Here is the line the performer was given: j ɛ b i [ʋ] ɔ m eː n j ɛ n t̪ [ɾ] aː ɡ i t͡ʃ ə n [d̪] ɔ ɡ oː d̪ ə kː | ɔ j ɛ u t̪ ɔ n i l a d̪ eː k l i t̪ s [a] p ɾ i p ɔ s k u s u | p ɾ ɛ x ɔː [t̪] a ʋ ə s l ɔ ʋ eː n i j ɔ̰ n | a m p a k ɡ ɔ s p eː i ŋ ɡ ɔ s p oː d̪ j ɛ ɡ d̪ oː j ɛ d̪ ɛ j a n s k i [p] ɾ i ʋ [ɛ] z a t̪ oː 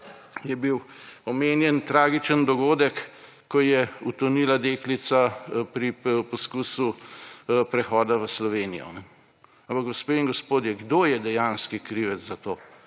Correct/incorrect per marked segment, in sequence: incorrect: w, correct, correct, correct, incorrect: d̪, incorrect: k, correct

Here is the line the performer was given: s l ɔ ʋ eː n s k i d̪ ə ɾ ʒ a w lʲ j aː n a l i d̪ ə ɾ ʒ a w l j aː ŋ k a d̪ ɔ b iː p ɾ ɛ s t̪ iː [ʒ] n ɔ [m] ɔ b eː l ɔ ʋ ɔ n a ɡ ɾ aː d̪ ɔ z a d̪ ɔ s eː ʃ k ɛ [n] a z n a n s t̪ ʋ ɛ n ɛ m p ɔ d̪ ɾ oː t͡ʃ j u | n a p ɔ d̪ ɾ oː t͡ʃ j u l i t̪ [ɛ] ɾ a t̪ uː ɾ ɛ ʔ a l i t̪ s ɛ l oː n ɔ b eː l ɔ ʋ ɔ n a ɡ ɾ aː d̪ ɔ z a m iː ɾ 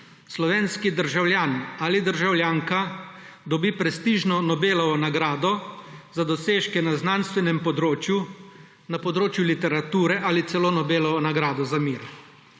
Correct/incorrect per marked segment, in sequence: correct, incorrect: n, correct, correct

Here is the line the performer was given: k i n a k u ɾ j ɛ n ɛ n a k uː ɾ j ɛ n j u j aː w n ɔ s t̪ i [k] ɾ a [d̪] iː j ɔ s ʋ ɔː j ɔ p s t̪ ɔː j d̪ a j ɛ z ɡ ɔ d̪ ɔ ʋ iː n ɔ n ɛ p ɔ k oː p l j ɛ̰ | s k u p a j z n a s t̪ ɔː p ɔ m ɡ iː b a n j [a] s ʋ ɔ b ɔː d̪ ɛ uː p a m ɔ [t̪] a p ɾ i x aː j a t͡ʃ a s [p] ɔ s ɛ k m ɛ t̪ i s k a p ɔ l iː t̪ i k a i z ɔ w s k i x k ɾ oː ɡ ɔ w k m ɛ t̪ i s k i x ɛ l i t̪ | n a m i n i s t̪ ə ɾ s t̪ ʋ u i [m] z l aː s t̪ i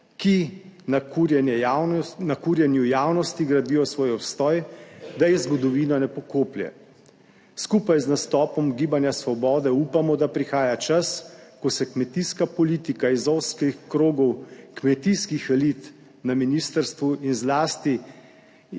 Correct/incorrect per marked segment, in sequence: incorrect: ɡ, correct, correct, incorrect: d̪, incorrect: k, incorrect: n

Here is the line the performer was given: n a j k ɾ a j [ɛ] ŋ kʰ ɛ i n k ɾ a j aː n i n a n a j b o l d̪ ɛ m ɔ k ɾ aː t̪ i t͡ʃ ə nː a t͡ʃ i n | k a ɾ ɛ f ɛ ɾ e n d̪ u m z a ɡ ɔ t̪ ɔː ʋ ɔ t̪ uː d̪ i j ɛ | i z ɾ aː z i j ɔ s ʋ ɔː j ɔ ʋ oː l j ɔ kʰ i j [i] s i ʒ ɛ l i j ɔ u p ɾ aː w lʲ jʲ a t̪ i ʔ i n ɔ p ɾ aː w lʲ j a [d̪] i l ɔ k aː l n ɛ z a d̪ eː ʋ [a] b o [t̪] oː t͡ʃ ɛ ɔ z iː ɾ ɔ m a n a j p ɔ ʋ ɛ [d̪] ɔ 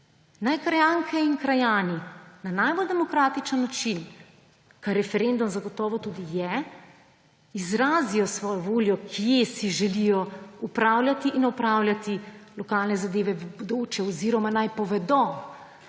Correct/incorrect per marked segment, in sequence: incorrect: a, incorrect: e, incorrect: t̪, incorrect: ɛ, incorrect: d̪, correct

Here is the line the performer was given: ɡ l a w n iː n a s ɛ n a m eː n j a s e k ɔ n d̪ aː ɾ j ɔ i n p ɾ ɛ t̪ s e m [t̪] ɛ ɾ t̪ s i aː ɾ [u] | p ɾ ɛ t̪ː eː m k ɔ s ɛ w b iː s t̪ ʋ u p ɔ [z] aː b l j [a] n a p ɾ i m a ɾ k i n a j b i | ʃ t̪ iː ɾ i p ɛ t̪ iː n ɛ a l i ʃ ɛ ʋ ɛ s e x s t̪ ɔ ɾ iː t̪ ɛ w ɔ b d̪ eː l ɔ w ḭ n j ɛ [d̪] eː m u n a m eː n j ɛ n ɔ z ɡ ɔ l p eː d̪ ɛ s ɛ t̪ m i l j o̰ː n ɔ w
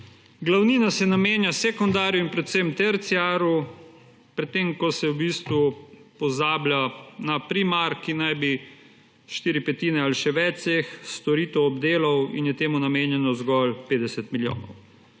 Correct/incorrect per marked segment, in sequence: correct, correct, correct, correct, incorrect: t̪

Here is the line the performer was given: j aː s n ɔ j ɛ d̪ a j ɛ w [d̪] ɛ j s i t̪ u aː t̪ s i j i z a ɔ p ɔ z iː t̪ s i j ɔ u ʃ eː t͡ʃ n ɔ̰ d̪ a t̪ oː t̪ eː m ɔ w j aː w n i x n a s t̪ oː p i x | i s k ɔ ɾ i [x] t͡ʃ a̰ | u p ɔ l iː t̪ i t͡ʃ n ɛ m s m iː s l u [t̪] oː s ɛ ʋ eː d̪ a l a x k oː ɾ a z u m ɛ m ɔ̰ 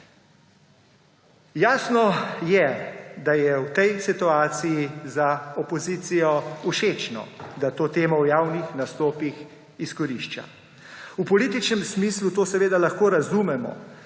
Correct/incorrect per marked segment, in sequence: incorrect: t̪, incorrect: ʃ, correct

